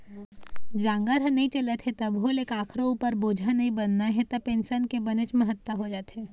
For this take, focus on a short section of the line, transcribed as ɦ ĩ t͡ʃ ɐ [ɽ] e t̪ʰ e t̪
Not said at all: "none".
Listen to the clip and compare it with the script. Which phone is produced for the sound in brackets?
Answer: l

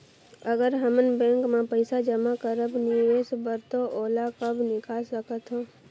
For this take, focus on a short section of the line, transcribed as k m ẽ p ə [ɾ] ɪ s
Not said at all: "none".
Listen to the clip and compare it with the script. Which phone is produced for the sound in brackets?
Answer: none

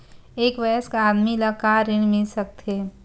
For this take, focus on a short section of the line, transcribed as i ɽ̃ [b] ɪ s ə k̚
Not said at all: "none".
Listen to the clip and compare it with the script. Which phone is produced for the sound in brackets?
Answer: m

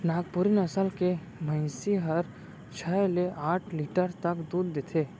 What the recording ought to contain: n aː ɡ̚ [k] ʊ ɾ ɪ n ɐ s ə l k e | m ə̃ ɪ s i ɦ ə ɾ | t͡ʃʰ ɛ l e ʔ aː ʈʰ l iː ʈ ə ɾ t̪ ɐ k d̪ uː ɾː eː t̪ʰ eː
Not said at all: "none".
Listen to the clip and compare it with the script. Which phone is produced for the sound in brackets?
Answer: p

